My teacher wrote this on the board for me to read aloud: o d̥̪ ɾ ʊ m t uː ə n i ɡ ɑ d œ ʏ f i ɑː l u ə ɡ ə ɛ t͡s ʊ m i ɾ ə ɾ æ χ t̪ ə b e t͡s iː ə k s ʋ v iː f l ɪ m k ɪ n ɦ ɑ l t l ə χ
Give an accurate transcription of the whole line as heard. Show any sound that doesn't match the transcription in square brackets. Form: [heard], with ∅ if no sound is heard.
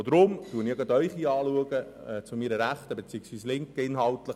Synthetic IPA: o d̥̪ ɾ ʊ m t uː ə n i ɡ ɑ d œ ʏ [χ] i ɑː l u ə ɡ ə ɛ t͡s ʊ m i ɾ ə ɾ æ χ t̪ ə b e t͡s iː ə k s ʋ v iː [s] l ɪ [ŋ] k ɪ n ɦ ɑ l t l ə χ